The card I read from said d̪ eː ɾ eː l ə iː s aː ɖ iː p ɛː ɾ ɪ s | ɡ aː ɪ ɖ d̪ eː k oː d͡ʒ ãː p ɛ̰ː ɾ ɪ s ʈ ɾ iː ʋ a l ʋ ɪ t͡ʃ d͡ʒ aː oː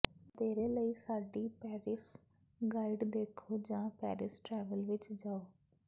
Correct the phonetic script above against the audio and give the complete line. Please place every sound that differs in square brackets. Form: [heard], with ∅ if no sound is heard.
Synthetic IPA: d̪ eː ɾ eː l ə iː s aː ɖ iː p ɛː ɾ ɪ s | ɡ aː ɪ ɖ d̪ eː [kʰ] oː d͡ʒ ãː p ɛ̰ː ɾ ɪ s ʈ ɾ [ɛː] ʋ [ə] l ʋ ɪ t͡ʃ d͡ʒ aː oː